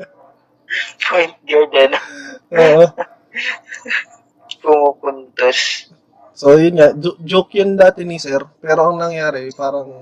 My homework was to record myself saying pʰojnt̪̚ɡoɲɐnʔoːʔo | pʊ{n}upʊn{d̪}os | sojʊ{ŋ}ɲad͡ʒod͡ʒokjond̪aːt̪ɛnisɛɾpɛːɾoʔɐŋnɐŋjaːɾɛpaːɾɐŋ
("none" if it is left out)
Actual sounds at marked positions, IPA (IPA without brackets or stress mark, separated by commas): m, t̪, n